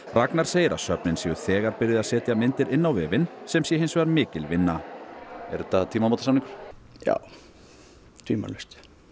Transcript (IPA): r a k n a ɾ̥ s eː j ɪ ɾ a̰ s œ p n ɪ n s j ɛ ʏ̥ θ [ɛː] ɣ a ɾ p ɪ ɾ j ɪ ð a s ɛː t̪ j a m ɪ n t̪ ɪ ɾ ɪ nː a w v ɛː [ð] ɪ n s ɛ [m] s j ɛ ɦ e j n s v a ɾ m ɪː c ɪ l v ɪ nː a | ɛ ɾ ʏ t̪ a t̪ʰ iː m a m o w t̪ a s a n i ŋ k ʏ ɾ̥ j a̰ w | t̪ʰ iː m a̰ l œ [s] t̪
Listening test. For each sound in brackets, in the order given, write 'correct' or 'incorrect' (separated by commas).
correct, incorrect, correct, correct